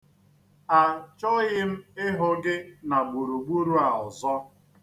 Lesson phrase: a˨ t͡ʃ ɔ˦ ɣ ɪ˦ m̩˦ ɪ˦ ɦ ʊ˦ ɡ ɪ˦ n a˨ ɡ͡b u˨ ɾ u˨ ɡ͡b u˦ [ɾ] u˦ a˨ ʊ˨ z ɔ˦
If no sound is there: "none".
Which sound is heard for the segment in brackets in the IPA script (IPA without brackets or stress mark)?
ɾ